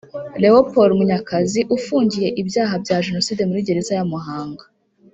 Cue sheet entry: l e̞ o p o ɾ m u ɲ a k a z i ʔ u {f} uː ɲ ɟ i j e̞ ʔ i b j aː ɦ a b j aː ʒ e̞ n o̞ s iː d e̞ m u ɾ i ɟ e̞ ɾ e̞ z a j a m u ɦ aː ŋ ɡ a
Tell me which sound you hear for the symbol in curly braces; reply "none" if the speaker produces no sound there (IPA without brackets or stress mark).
f